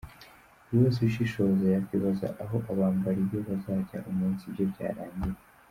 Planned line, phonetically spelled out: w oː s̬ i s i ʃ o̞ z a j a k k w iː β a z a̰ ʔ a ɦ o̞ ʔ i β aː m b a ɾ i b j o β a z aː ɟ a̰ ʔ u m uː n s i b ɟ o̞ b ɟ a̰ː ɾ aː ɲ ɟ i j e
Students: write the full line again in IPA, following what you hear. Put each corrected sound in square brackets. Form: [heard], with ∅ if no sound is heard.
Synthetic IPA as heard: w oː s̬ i [ʃ] i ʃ o̞ z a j a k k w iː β a z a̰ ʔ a ɦ o̞ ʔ [a] β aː m b a ɾ i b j o β a z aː ɟ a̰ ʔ u m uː n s i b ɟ o̞ b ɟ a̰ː ɾ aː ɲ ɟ i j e